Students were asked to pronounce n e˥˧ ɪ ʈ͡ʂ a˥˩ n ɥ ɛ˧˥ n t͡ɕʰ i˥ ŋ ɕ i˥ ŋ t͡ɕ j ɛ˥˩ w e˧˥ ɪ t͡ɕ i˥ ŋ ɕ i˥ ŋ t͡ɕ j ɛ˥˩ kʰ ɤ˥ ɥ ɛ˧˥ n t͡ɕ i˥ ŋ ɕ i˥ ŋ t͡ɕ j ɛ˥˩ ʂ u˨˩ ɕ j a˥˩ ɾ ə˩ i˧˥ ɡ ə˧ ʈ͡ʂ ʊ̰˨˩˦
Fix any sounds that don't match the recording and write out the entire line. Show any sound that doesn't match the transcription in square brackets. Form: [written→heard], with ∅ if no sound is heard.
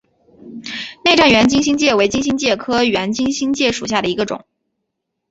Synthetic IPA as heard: n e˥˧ ɪ ʈ͡ʂ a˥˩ n ɥ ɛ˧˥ n [t͡ɕʰ→t͡ɕ] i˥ ŋ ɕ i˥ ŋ t͡ɕ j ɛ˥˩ w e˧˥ ɪ t͡ɕ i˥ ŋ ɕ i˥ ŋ t͡ɕ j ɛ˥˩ kʰ ɤ˥ ɥ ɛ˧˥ n t͡ɕ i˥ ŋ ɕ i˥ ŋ t͡ɕ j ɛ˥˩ ʂ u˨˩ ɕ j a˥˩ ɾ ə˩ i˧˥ ɡ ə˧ ʈ͡ʂ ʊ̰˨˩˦